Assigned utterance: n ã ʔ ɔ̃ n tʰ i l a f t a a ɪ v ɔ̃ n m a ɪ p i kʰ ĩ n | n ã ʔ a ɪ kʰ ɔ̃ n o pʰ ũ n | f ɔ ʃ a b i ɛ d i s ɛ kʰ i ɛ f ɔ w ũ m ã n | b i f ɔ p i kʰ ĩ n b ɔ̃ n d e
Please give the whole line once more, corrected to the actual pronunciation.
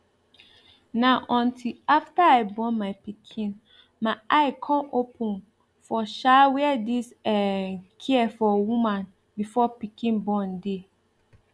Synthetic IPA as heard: n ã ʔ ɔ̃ n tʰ i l a f t a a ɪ b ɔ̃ n m a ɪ p i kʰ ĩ n | m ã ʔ a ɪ kʰ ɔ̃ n o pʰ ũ n | f ɔ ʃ a w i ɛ d i s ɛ kʰ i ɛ f ɔ w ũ m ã n | b i f ɔ p i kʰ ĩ n b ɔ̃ n d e

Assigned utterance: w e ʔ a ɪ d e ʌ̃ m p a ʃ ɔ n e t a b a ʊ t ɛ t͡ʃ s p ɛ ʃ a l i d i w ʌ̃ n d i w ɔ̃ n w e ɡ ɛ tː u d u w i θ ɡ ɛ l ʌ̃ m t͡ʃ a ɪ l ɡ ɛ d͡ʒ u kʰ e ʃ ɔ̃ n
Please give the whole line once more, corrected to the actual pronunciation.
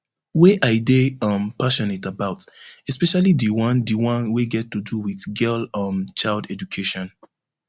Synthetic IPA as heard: w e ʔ a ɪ d e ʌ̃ m p a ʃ ɔ n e t a b a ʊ t ɛ s p ɛ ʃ a l i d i w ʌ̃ n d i w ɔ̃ n w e ɡ ɛ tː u d u w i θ ɡ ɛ l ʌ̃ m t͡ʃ a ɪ l d ɛ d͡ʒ u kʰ e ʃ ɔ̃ n

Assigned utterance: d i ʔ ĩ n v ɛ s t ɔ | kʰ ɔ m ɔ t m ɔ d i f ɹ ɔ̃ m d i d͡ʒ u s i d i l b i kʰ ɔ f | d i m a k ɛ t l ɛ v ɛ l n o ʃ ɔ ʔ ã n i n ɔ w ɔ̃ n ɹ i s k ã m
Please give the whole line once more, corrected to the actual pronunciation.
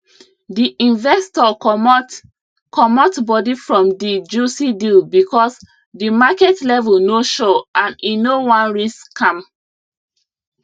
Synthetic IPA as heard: d i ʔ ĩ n v ɛ s t ɔ | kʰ ɔ m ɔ t b ɔ d i f ɹ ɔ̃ m d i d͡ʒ u s i d i l b i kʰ ɔ s | d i m a k ɛ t l ɛ v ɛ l n o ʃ ɔ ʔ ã n i n o w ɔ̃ n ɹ i s k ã m

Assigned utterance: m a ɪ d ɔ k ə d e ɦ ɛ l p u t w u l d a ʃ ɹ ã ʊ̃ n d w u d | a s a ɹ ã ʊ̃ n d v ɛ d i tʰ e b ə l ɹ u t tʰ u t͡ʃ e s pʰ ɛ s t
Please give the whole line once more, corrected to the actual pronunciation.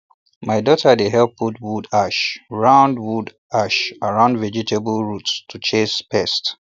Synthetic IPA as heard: m a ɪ d ɔ t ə d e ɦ ɛ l p u t w u d a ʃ ɹ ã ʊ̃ n d w u d | a ʃ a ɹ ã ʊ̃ n d v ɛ d͡ʒ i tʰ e b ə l ɹ u t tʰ u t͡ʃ e s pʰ ɛ s t

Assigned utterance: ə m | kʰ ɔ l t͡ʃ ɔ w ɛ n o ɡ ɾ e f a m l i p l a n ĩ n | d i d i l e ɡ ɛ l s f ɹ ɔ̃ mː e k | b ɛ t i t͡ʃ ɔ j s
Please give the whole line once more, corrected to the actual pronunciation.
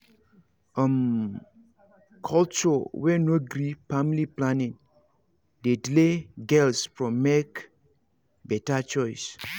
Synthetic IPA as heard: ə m | kʰ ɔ l t͡ʃ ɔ w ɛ n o ɡ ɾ i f a m l i p l a n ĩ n | d e d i l e ɡ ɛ l s f ɹ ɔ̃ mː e k | b ɛ t a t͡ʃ ɔ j s

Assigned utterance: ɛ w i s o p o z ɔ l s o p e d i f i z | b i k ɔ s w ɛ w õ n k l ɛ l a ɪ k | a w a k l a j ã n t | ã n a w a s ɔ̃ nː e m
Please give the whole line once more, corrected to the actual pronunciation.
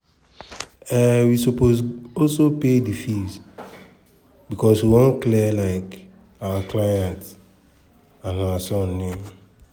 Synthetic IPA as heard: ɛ w i s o p o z ɔ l s o p e d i f i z | b i k ɔ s w i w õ n k l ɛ l a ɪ k | a w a k l a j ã n t | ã n a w a s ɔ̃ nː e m

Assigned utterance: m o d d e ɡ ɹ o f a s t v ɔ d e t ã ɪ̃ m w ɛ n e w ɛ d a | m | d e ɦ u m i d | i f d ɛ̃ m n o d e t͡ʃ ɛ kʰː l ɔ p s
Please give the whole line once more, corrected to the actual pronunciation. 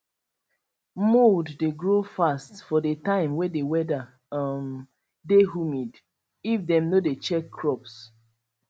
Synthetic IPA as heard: m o d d e ɡ ɹ o f a s t f ɔ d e t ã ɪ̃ m w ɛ d e w ɛ d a | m | d e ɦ u m i d | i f d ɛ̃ m n o d e t͡ʃ ɛ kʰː ɹ ɔ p s

